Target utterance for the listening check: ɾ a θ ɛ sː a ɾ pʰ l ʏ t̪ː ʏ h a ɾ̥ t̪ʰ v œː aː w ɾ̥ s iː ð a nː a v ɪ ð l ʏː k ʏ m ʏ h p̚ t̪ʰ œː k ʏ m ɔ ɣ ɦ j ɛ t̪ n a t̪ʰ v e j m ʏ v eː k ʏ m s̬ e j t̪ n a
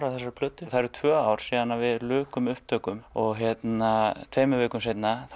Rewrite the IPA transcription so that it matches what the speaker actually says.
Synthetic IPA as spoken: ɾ a θ ɛ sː a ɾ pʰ l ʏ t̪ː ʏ θ a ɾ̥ t̪ʰ v œː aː w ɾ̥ s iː ð a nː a v ɪ ð l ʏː k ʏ m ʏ h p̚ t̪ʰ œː k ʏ m ɔ ɣ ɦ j ɛ t̪ n a t̪ʰ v e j m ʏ v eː k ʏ m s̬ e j t̪ n a

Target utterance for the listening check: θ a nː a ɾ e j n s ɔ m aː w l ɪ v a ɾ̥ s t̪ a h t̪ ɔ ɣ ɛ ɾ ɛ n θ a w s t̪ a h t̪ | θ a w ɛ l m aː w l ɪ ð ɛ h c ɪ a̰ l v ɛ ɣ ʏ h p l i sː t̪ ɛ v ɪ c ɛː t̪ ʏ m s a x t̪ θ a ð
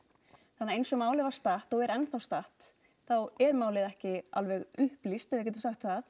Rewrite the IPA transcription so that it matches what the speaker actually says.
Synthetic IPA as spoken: θ a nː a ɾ e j n s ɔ m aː w l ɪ v a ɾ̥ s t̪ a h t̪ ɔ ɣ ɛ ɾ ɛ n θ a w s t̪ a h t̪ | θ a w ɛ ɾ m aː w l ɪ ð ɛ h c ɪ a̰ l v ɛ ɣ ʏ h p l i s t̪ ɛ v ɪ c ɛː t̪ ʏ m s a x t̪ θ a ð

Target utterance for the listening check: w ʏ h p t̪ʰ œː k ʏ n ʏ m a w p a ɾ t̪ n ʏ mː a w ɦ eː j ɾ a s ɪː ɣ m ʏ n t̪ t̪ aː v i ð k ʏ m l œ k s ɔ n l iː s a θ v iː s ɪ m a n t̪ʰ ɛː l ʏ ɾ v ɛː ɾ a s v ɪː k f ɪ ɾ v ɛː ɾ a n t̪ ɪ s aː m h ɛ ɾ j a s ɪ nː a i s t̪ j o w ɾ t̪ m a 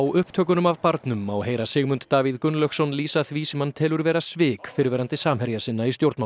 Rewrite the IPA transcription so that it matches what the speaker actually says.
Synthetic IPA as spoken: w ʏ h p t̪ʰ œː k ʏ n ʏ m a v p a ɾ t̪ n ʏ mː a w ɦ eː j ɾ a s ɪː ɣ m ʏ n t̪ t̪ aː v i ð k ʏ n l œ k s ɔ n l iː s a θ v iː s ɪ m a n t̪ʰ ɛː l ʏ ɾ v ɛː ɾ a s v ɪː k f ɪ ɾ v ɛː ɾ a n t̪ ɪ s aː m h ɛ ɾ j a s ɪ nː a i s t̪ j o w ɾ t̪ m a

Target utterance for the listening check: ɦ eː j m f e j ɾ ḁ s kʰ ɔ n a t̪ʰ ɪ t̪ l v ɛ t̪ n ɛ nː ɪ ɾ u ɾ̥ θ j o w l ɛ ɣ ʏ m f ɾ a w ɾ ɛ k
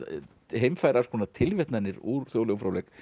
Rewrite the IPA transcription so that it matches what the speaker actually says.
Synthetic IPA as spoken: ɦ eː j m f a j ɾ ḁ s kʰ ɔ n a t̪ʰ ɪ l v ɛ t̪ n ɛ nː ɪ ɾ u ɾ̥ θ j o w l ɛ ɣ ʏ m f ɾ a w l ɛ k

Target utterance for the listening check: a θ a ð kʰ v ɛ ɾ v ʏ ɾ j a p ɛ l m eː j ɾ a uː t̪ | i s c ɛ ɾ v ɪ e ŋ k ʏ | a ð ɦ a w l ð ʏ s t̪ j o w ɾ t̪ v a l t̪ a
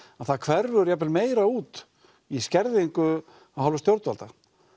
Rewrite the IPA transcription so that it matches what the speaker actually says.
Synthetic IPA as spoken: a θ a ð kʰ v ɛ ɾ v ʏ ɾ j a p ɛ l m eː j ɾ a uː t̪ | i s c ɛ ɾ ð ɪ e ŋ k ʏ | a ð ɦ a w l v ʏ s t̪ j o w ɾ t̪ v a l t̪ a

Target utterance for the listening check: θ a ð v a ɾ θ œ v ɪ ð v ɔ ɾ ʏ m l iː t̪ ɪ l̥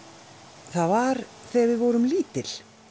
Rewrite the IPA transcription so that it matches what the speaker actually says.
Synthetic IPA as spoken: θ a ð v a ɾ θ ɛ v ɪ ð v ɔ ɾ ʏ m l iː t̪ ɪ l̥

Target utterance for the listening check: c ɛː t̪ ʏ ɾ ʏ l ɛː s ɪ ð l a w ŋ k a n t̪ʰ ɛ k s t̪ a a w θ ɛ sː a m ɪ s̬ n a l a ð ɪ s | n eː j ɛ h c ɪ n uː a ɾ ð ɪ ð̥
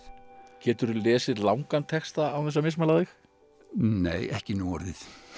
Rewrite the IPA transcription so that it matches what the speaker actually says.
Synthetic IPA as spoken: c ɛː t̪ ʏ ɾ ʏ l ɛː s ɪ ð l a w ŋ k a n t̪ʰ ɛ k s t̪ a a w θ ɛ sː a m ɪ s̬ m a l a ð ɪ x | n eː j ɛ h c ɪ n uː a ɾ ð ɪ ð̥

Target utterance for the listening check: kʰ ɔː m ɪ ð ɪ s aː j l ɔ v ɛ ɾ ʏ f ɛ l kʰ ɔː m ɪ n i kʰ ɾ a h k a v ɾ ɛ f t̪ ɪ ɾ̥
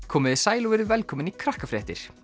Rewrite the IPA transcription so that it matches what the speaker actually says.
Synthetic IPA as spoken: kʰ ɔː m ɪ ð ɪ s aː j l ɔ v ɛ ɾ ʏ v ɛ l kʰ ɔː m ɪ n i kʰ ɾ a h k a f ɾ ɛ h t̪ ɪ ɾ̥

